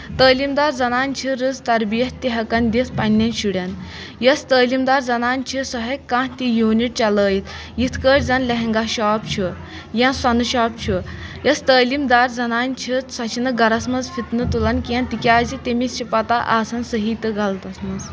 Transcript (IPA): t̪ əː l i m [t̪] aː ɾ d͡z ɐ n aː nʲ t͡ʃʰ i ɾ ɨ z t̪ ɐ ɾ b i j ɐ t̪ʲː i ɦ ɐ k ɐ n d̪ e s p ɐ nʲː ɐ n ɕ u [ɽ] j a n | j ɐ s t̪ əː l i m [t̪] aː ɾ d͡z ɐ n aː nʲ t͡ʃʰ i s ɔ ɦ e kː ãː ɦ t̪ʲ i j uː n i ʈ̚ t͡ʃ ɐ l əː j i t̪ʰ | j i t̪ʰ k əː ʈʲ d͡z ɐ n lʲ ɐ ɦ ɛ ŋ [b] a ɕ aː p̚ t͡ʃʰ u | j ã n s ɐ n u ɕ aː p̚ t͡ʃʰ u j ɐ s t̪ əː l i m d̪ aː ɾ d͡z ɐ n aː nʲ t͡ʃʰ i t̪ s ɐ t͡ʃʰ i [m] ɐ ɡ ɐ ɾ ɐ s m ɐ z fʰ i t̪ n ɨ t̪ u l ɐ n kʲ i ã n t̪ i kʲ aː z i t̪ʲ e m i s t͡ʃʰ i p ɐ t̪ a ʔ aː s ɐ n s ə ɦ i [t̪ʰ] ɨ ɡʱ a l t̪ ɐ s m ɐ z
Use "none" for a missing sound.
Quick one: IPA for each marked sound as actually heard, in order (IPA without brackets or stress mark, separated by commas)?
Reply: d̪, ɽ, d̪, ɡ, n, t̪